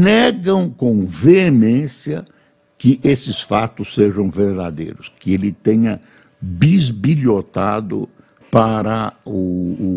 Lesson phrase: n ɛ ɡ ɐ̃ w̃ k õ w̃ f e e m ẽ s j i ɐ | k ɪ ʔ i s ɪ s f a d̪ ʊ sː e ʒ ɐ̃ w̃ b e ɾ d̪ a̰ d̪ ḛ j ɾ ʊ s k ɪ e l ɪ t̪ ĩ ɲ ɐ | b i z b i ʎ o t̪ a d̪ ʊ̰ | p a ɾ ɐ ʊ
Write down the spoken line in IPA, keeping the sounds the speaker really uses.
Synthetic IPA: n ɛ ɡ ɐ̃ w̃ k õ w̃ v e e m ẽ s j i ɐ | k ɪ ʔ e s ɪ s f a t̪ ʊ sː e ʒ ɐ̃ w̃ v e ɾ d̪ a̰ d̪ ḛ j ɾ ʊ s k ɪ e l ɪ t̪ ẽ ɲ ɐ | b i z b i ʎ o t̪ a d̪ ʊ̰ | p a ɾ ɐ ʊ